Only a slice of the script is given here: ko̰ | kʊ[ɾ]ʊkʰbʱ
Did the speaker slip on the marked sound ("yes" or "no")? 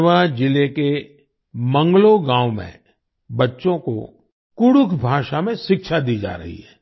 yes